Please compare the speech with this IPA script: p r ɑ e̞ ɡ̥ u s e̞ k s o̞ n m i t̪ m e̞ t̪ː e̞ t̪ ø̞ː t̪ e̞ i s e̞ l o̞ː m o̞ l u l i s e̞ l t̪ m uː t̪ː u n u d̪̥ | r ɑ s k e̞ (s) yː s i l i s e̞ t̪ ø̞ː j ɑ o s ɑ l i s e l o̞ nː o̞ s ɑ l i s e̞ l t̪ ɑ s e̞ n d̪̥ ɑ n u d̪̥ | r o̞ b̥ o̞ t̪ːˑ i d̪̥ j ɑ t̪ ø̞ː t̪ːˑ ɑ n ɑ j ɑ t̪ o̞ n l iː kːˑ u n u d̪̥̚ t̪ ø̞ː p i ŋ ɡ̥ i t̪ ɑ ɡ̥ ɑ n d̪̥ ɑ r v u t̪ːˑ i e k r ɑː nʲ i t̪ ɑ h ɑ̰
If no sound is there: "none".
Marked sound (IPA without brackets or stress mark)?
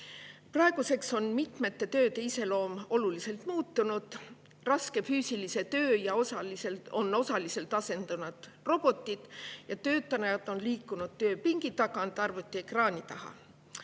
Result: f